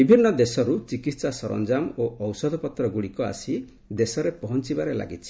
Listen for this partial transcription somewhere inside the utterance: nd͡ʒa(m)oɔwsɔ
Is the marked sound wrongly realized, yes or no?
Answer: no